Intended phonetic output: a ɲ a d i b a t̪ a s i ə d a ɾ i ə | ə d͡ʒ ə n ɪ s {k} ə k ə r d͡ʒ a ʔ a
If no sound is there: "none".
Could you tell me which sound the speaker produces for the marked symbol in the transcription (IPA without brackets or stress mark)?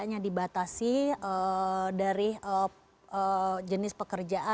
p